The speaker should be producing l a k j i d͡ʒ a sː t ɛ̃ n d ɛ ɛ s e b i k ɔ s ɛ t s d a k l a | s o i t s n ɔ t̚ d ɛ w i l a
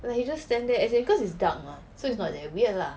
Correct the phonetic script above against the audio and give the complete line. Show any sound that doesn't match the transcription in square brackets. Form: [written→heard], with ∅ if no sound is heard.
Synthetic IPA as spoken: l a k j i d͡ʒ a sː t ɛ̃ n d ɛ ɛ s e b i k ɔ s [ɛ→i] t s d a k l a | s o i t s n ɔ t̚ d ɛ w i l a